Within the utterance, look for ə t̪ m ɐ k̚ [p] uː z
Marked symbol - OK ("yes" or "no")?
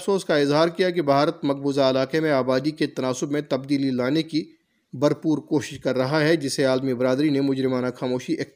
no